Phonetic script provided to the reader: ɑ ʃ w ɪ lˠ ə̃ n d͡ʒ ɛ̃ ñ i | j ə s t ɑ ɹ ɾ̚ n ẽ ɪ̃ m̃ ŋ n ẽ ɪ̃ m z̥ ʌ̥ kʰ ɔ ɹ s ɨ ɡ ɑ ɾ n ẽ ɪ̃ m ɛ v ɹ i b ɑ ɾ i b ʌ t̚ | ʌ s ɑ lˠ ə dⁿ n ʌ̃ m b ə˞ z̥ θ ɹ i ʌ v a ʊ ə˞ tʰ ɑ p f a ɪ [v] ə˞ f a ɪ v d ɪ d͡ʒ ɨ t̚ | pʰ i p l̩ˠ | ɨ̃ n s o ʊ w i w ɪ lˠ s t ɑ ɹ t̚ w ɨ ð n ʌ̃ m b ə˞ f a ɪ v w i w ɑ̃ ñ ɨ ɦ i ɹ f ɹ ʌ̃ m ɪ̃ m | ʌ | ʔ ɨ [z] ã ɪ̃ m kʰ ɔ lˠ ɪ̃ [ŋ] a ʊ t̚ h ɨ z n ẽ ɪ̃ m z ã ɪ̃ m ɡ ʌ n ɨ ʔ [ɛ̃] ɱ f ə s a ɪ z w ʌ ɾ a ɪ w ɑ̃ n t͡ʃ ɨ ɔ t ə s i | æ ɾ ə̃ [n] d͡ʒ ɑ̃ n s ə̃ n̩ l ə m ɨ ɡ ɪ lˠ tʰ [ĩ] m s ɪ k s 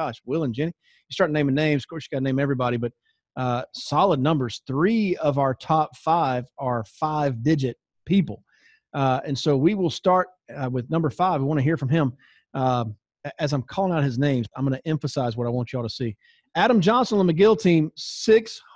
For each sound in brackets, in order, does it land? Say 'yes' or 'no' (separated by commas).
yes, yes, yes, yes, no, yes